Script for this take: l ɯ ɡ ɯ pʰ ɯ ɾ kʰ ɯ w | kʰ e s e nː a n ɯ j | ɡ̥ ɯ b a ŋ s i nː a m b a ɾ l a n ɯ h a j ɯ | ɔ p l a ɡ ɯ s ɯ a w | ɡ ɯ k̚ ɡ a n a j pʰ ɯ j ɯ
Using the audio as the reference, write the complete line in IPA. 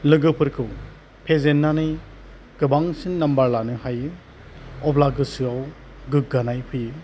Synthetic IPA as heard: l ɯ ɡ ɯ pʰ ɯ ɾ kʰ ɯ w | pʰ e z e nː a n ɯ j | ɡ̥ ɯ b a ŋ s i nː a m b a ɾ l a n ɯ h a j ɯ | ɔ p l a ɡ ɯ s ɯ a w | ɡ ɯ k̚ ɡ a n a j pʰ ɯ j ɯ